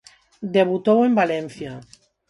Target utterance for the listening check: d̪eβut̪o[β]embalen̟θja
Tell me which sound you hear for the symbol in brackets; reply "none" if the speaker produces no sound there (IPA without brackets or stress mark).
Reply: w